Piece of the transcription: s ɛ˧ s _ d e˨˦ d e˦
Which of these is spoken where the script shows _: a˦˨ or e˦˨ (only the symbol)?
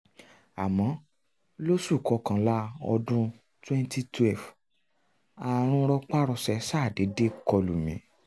a˦˨